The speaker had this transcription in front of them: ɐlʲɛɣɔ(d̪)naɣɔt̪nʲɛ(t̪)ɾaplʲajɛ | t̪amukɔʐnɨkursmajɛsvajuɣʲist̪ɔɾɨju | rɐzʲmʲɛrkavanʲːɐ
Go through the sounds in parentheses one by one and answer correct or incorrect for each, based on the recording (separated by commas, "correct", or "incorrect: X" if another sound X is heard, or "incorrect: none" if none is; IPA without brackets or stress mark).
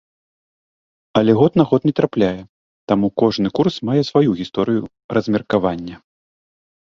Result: incorrect: t̪, correct